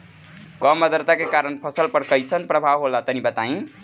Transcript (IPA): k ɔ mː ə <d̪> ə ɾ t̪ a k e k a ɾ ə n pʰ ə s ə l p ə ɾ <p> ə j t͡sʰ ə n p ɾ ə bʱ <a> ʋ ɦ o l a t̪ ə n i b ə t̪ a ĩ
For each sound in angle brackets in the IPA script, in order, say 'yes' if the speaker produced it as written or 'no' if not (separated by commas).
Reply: yes, no, yes